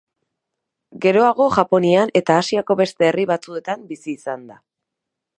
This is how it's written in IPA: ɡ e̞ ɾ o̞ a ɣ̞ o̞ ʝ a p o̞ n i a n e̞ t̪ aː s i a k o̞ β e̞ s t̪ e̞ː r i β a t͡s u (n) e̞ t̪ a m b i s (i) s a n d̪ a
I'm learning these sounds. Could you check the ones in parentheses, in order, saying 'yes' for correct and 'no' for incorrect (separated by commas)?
no, no